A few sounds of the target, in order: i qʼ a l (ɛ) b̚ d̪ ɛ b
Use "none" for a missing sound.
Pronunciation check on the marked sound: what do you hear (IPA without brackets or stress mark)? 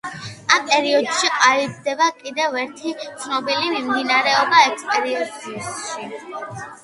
i